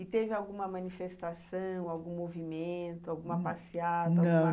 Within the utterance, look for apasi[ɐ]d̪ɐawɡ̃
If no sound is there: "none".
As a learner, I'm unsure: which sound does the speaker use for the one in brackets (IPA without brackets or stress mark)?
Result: a